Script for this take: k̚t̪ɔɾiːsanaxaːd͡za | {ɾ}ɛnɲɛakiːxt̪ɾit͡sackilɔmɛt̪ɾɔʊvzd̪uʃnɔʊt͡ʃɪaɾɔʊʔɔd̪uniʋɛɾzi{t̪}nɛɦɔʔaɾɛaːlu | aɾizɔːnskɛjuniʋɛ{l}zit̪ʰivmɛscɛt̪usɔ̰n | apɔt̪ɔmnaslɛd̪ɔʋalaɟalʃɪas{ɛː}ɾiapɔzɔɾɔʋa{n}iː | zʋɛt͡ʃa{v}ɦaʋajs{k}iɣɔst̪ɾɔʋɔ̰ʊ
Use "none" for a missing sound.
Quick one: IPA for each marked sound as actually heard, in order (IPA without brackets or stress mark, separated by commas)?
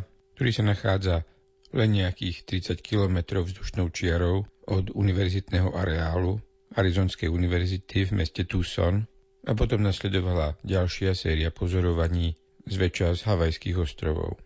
l, t̪, ɾ, ɛː, ɲ, z, k